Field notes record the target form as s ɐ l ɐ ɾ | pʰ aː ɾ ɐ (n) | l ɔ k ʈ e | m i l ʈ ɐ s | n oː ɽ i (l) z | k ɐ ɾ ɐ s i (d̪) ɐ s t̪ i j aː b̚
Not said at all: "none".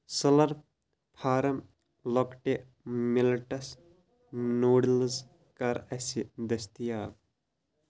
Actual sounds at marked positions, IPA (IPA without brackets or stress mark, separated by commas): m, l, d̪